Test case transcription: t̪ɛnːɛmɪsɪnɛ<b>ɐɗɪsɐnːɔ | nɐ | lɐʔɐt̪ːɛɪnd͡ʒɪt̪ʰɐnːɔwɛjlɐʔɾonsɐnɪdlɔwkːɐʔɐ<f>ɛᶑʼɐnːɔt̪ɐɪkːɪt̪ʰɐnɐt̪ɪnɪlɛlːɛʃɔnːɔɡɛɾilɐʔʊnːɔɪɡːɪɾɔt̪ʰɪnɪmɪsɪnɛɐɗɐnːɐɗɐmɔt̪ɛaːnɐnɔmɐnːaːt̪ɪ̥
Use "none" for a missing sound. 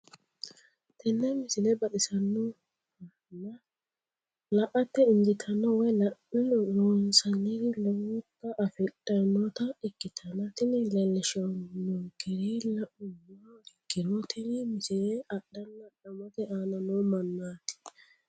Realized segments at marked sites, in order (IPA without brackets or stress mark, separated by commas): b, f